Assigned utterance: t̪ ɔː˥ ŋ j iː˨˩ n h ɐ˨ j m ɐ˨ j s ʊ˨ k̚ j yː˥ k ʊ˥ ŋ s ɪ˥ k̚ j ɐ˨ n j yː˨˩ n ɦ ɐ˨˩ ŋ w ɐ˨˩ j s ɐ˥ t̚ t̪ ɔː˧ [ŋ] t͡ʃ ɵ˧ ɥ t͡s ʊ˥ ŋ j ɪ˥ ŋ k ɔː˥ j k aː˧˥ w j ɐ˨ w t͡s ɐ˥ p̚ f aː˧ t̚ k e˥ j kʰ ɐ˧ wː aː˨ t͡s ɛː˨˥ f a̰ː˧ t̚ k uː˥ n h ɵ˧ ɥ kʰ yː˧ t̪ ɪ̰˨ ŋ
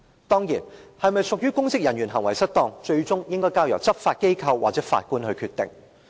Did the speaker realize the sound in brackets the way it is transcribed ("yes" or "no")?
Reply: yes